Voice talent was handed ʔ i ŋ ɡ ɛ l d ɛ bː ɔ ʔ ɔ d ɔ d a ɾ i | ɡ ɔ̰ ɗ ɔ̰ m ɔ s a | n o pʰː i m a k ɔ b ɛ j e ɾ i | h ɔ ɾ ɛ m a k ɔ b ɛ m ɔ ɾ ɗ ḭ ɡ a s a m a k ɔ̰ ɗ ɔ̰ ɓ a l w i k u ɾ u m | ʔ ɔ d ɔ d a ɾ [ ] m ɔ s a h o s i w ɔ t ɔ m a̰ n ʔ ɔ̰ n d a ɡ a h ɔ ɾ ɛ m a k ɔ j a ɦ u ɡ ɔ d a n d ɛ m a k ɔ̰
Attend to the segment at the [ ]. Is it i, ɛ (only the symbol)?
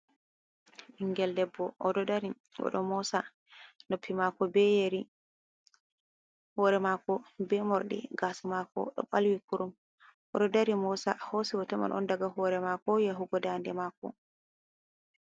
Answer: i